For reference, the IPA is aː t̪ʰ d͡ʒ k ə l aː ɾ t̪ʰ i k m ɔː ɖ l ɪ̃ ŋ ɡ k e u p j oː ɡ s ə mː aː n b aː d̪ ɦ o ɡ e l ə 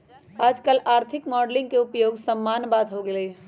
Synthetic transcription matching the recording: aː d͡ʒ k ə l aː ɾ t̪ʰ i k m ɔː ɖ l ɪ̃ ŋ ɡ k e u p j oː ɡ s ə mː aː n b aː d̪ ɦ o ɡ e l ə